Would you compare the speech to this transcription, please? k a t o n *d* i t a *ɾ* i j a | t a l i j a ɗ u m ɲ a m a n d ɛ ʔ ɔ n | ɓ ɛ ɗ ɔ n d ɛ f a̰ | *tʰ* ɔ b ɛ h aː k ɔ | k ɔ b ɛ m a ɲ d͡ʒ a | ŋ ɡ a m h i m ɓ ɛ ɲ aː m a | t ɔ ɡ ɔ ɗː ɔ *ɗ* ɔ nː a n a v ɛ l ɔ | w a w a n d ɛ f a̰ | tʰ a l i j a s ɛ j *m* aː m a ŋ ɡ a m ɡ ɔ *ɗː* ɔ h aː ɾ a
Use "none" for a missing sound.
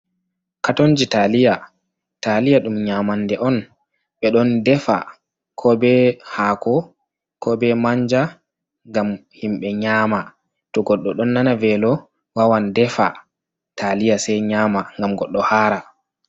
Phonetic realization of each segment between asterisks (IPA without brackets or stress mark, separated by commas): d͡ʒ, l, kʰ, ɗ, ɲ, ɗː